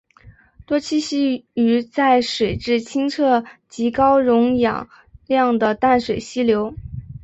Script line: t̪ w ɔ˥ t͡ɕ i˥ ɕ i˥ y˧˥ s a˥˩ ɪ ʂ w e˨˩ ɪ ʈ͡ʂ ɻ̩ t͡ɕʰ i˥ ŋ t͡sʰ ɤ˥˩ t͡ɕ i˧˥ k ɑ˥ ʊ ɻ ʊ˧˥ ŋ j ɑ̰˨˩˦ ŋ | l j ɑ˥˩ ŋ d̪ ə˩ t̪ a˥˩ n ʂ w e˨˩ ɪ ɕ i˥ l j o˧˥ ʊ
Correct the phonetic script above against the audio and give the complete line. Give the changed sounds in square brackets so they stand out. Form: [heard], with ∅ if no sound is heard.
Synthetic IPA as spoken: t̪ w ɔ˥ [t͡ɕʰ] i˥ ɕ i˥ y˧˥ [t͡s] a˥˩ ɪ ʂ w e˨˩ ɪ ʈ͡ʂ ɻ̩ t͡ɕʰ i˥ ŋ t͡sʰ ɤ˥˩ t͡ɕ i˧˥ k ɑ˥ ʊ ɻ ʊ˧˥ ŋ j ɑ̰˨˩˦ ŋ | l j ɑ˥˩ ŋ d̪ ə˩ t̪ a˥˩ n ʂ w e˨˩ ɪ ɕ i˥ l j o˧˥ ʊ